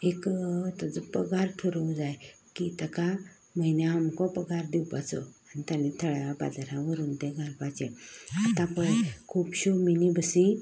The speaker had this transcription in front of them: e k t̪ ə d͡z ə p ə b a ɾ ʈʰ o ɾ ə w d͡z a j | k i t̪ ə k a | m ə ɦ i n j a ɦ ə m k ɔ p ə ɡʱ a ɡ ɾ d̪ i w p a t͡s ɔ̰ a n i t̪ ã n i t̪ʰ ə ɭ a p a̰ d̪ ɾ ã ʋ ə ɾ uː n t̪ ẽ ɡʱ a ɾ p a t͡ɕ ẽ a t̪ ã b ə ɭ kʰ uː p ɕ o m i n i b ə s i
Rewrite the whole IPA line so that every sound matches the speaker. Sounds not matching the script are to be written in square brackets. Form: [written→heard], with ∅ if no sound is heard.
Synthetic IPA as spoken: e k t̪ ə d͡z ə p ə [b→ɡ] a ɾ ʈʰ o ɾ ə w d͡z a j | k i t̪ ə k a | m ə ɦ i n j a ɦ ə m k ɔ p ə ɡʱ a [ɡ→∅] ɾ d̪ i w p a t͡s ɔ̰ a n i t̪ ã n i t̪ʰ ə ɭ a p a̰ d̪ ɾ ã ʋ ə ɾ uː n t̪ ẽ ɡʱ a ɾ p a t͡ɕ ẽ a t̪ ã [b→p] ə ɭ kʰ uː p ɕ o m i n i b ə s i